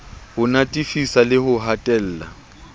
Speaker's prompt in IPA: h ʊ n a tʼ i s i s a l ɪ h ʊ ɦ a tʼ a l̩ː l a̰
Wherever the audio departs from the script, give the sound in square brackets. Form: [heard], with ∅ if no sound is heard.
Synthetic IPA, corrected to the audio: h ʊ n a tʼ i [f] i s a l ɪ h ʊ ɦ a tʼ [ɛ] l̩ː l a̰